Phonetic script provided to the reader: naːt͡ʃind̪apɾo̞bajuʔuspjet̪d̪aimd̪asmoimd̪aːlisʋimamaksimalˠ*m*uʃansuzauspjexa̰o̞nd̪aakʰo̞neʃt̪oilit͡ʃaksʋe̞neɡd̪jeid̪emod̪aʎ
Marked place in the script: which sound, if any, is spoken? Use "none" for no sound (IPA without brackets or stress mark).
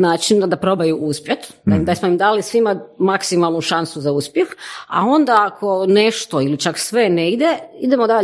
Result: n